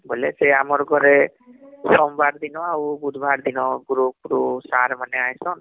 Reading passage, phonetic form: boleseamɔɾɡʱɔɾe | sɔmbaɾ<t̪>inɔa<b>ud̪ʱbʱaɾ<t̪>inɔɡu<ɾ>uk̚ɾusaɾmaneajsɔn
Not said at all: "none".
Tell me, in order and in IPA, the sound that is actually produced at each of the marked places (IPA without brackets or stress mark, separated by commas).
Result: d̪, b, d̪, ɾ